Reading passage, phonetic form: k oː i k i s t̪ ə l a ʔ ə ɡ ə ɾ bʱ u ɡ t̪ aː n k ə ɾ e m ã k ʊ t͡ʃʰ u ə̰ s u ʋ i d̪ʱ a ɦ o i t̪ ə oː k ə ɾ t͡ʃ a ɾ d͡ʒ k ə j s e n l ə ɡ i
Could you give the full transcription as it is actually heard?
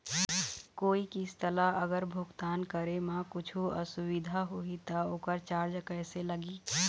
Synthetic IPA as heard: k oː i k i s t̪ ə l a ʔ ə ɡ ə ɾ bʱ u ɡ t̪ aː n k ə ɾ e m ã k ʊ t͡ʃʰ u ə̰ s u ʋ i d̪ʱ a ɦ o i t̪ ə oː k ə ɾ t͡ʃ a ɾ d͡ʒ k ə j s e l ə ɡ i